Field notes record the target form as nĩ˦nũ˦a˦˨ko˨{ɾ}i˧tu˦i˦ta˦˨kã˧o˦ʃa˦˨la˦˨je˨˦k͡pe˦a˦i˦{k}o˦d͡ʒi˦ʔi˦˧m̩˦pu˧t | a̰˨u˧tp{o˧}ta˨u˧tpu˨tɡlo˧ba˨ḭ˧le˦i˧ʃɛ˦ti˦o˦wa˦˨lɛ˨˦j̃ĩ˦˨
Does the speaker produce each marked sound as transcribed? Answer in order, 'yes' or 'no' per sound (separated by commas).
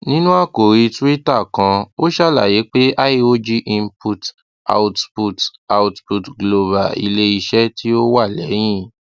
yes, no, no